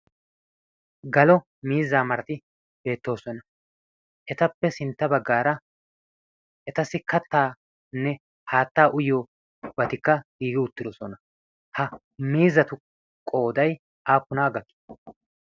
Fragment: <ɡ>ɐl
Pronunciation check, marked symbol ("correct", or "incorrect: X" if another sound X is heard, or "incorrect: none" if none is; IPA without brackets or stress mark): correct